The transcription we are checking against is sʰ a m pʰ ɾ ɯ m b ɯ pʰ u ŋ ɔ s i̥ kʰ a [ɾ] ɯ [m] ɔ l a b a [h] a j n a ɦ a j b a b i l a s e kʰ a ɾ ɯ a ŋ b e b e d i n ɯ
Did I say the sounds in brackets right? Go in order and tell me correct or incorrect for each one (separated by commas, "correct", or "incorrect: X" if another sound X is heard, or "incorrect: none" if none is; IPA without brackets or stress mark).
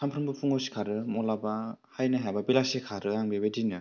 correct, correct, correct